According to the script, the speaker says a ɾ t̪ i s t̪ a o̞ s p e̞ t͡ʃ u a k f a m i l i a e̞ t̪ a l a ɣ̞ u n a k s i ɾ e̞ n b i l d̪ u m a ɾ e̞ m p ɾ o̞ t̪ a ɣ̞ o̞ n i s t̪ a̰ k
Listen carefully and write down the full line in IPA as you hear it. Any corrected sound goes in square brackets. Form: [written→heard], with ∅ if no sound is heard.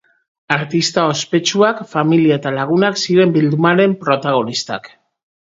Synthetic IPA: a ɾ t̪ i s t̪ a o̞ s p e̞ t͡ʃ u a k f a m i l i a e̞ t̪ a l a ɣ̞ u n a k s i ɾ e̞ [n→m] b i l d̪ u m a ɾ e̞ m p ɾ o̞ t̪ a ɣ̞ o̞ n i s t̪ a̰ k